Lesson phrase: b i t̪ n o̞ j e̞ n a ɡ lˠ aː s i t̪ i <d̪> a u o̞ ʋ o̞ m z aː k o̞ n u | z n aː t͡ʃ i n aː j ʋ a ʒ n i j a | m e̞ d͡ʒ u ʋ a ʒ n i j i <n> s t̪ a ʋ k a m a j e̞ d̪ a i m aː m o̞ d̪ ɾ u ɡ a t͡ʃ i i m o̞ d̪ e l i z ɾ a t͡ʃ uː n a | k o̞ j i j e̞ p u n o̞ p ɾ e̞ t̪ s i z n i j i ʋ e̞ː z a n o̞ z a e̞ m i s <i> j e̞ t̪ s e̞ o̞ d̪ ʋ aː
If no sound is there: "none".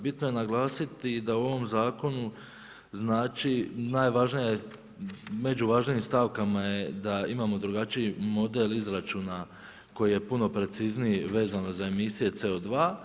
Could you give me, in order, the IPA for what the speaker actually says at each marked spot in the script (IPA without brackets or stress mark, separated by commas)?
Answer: d̪, m, i